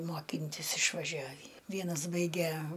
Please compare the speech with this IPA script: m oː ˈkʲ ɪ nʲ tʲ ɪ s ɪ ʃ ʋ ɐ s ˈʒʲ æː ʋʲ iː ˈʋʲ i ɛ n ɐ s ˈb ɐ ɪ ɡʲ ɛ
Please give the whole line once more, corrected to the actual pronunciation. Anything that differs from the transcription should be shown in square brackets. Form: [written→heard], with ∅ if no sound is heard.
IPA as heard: m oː ˈkʲ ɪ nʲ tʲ ɪ s ɪ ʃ ʋ ɐ [s→∅] ˈʒʲ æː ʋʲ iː ˈʋʲ i ɛ n ɐ s ˈb ɐ ɪ ɡʲ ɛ